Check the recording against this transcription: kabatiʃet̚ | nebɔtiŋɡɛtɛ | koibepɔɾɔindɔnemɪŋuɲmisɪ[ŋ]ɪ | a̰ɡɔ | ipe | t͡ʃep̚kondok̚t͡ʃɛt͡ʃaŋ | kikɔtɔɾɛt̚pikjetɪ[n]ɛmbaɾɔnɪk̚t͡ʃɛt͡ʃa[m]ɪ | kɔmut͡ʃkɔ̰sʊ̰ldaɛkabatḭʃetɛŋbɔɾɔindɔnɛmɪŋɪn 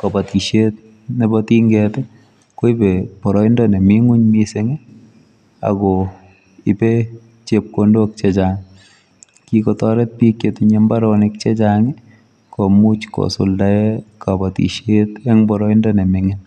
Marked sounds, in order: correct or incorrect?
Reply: correct, incorrect: ɲ, incorrect: ŋ

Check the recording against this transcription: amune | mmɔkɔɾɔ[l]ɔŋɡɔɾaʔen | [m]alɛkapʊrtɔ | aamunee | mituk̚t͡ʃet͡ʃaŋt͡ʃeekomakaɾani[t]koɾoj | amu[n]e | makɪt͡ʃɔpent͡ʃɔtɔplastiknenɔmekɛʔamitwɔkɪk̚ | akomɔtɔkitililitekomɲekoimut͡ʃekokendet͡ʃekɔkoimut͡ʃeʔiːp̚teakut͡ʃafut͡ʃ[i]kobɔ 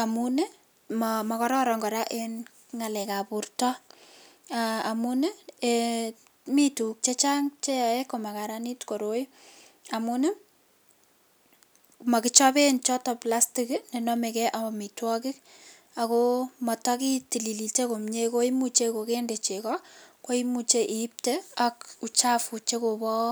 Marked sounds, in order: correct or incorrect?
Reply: incorrect: ɾ, incorrect: ŋ, correct, correct, incorrect: e

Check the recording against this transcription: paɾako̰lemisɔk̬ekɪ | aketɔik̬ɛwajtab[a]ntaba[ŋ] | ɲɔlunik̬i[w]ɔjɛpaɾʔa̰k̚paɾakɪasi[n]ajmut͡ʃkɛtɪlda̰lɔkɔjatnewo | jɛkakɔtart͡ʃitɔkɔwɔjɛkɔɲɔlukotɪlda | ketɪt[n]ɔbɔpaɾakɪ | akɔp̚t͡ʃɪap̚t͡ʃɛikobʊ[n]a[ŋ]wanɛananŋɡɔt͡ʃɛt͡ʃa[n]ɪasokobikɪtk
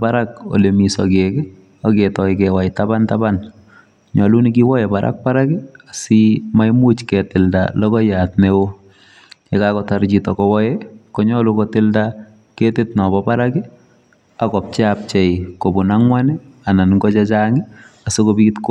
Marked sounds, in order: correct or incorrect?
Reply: correct, incorrect: n, correct, incorrect: m, correct, correct, correct, incorrect: ŋ

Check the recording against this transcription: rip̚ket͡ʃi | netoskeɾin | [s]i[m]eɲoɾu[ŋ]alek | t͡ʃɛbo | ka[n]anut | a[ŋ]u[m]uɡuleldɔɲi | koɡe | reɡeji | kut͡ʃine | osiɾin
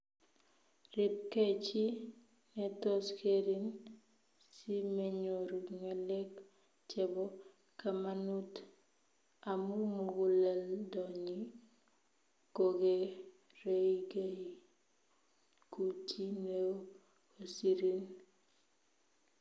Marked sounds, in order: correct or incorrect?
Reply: correct, correct, correct, incorrect: m, incorrect: m, correct

